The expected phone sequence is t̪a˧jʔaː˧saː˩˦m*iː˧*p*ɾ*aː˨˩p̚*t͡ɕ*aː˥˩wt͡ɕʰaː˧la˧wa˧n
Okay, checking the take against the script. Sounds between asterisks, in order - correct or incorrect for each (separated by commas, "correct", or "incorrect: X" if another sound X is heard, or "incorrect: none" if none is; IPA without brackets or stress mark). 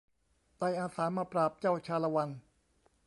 incorrect: aː˧, correct, correct